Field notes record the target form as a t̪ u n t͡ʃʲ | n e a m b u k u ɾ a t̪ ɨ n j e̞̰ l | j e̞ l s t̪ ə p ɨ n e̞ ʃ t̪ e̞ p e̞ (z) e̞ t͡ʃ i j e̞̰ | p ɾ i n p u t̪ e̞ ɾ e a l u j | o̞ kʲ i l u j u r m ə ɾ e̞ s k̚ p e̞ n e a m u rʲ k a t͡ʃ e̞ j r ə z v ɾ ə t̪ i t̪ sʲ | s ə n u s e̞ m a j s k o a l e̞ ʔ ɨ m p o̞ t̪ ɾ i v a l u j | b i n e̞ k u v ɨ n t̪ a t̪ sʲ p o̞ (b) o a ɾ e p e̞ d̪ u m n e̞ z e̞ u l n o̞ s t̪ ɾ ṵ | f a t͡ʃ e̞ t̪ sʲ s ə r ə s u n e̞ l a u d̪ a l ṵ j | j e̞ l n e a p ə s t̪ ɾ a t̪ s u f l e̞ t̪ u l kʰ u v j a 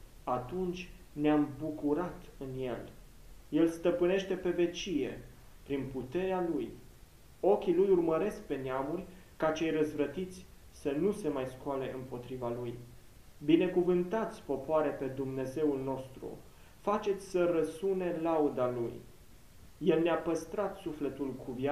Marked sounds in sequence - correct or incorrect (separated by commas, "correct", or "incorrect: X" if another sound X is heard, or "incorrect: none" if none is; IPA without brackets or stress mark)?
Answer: incorrect: v, incorrect: p